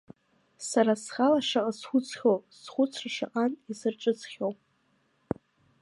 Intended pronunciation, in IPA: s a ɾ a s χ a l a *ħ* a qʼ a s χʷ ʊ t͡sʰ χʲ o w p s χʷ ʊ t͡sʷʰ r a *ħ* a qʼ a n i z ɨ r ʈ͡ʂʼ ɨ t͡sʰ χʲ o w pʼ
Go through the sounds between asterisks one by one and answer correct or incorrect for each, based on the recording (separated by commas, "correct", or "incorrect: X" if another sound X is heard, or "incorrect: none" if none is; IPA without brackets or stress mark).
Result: incorrect: ʂ, incorrect: ʂ